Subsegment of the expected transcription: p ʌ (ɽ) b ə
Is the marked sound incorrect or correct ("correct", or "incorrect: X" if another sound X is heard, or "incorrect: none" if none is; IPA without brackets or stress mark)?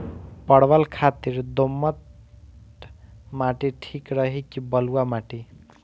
correct